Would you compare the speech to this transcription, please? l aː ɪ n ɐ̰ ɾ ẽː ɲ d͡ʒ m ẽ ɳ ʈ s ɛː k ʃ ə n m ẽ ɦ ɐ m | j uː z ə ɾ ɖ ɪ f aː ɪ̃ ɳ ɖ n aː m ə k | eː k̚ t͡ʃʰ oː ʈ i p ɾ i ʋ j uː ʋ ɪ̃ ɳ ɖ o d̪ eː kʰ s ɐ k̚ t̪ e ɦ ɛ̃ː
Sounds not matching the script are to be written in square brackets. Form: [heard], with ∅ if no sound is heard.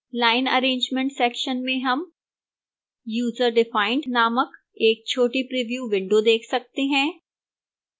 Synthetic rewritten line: l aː ɪ n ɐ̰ ɾ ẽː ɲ d͡ʒ m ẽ ɳ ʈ s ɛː k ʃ ə n m ẽ ɦ ɐ m | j uː z ə ɾ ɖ ɪ f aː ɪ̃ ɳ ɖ n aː m ə k | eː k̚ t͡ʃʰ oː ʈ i p ɾ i ʋ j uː ʋ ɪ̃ ɳ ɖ o d̪ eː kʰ s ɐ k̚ t̪ e ɦ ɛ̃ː